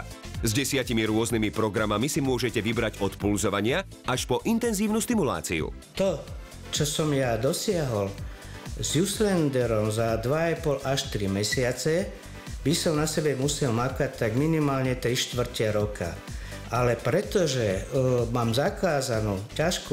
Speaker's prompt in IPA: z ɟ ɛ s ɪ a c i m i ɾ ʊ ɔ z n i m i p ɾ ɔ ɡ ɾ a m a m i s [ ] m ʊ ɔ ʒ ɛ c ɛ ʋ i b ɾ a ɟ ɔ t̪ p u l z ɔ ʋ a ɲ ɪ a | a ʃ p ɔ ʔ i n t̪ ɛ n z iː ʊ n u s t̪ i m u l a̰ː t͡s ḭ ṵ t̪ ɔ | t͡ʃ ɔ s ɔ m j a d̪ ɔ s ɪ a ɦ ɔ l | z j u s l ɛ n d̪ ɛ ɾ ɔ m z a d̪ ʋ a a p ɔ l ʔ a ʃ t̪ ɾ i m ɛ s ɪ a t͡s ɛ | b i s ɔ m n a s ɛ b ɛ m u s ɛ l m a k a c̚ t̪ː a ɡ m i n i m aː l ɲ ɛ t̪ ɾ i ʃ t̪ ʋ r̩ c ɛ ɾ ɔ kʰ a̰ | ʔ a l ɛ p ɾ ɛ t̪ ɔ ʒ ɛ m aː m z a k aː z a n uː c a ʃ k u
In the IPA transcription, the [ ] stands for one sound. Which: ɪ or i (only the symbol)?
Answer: i